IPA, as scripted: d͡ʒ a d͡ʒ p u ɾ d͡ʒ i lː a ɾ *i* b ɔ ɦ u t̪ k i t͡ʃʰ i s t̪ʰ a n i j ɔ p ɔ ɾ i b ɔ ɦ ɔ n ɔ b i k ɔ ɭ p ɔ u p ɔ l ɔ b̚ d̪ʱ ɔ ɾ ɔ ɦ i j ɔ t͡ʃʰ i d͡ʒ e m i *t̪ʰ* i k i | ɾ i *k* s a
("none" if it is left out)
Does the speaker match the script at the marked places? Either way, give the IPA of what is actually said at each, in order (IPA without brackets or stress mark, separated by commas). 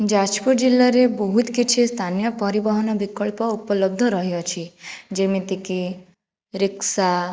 e, t̪, k